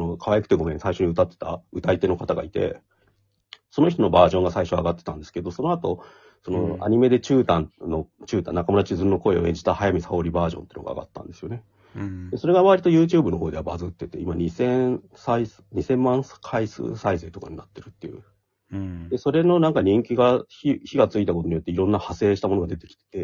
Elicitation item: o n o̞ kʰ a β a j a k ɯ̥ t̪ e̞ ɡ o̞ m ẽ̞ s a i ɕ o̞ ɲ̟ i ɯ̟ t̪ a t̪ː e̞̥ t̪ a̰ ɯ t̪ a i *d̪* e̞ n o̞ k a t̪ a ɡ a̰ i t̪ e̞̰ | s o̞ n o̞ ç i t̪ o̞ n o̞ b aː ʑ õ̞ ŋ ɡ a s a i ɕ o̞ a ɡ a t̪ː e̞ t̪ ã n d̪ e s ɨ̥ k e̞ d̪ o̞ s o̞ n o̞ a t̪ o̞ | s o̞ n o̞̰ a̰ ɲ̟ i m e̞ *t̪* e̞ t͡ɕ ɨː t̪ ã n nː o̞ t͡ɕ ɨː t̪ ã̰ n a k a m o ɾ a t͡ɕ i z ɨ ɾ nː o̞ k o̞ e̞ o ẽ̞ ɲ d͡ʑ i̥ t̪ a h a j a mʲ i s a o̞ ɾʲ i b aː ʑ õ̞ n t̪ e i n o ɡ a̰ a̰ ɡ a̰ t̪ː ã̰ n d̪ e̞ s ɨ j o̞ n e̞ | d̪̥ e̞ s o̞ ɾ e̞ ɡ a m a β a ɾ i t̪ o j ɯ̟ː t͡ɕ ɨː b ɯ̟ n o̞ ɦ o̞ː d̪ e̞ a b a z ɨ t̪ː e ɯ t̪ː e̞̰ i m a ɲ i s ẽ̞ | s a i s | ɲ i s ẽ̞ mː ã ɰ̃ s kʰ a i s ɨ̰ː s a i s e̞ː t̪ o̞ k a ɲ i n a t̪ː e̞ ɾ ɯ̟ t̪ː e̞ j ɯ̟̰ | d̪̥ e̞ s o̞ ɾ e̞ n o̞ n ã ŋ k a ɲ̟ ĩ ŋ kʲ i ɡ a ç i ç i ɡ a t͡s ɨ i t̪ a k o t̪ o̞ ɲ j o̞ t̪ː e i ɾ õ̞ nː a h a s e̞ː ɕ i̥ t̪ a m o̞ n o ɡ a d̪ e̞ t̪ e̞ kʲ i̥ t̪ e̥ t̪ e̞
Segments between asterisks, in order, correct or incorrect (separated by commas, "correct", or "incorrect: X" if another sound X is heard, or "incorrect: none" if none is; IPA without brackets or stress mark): incorrect: t̪, incorrect: d̪